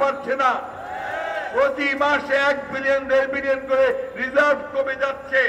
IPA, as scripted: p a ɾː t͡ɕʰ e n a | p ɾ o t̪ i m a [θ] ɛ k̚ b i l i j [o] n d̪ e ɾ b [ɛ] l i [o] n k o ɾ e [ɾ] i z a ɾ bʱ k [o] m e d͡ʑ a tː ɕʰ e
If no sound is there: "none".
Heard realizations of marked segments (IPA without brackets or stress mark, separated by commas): ʃ, o, i, o, ɾ, o